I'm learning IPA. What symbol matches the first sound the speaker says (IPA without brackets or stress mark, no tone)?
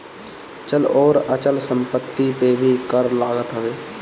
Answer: t͡ʃ